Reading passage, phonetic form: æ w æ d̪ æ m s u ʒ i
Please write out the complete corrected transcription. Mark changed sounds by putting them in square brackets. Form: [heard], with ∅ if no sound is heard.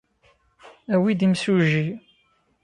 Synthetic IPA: æ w [i] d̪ [i] m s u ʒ i

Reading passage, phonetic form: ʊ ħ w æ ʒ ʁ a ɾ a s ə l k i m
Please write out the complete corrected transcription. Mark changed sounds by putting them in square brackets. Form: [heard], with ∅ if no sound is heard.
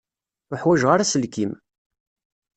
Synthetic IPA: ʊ ħ w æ ʒ ʁ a ɾ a s ə l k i m

